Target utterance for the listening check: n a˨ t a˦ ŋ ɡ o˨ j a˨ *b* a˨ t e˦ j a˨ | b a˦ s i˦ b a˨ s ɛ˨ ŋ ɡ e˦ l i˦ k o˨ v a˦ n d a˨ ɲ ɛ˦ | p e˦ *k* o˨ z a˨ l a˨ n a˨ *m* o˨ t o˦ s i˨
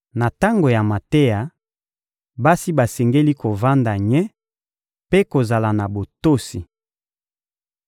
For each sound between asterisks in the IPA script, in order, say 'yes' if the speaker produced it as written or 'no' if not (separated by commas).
no, yes, no